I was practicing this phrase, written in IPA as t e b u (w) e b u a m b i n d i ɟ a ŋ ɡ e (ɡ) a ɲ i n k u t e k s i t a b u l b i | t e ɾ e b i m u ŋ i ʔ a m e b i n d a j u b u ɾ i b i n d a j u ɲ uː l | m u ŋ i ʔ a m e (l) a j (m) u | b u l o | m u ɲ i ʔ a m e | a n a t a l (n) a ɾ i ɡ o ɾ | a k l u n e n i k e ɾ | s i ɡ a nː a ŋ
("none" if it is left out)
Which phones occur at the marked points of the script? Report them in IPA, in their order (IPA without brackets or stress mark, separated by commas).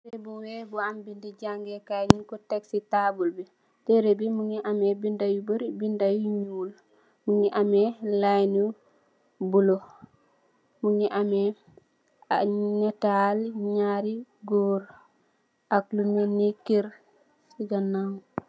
w, k, l, n, ɲ